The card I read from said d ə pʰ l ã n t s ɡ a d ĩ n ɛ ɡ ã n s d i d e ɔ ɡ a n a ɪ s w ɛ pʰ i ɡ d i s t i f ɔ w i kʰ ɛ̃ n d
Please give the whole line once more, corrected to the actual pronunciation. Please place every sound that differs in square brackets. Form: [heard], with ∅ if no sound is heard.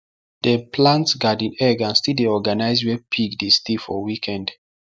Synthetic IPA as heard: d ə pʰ l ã n t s ɡ a d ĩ n ɛ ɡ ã n s [t] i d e ɔ ɡ a n a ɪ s w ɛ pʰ i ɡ d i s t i f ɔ w i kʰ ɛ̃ n d